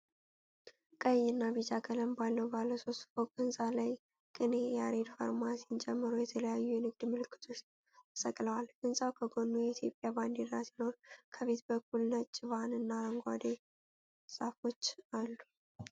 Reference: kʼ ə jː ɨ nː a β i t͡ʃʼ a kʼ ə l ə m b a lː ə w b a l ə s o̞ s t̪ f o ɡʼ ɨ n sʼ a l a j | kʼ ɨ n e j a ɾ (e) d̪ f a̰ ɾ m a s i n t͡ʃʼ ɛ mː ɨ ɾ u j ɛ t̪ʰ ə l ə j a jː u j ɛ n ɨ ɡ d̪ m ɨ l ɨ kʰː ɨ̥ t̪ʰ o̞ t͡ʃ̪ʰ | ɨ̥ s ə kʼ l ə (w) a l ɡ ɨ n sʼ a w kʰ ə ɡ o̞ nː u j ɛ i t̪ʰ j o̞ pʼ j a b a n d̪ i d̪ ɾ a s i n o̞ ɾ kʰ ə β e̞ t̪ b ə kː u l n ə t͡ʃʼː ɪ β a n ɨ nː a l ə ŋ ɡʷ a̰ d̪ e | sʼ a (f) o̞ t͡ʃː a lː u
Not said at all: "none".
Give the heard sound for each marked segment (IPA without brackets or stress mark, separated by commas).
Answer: e, w, f